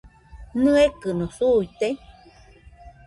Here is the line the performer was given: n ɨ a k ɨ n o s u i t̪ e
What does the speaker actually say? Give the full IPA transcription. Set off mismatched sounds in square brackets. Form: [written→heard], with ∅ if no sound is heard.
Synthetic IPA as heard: n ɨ [a→e] k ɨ n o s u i t̪ e